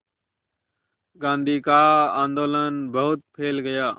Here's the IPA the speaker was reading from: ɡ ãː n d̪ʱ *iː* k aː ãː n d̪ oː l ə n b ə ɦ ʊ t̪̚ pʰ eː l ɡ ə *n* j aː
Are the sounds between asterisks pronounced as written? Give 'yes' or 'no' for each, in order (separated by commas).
yes, no